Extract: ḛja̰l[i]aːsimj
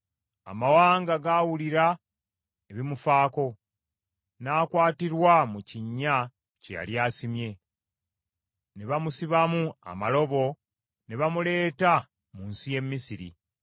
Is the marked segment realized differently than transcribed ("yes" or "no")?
yes